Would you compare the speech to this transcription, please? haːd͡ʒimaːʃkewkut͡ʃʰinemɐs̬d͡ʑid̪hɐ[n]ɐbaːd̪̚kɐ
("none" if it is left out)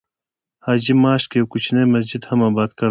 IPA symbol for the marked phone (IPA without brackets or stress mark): m